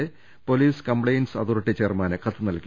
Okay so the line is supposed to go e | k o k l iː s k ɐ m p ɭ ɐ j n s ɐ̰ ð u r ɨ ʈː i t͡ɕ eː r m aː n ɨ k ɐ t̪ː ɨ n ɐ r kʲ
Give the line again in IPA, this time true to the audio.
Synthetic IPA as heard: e | p o l iː s k ɐ m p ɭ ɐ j n s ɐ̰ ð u r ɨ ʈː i t͡ɕ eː r m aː n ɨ k ɐ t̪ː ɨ n ɐ l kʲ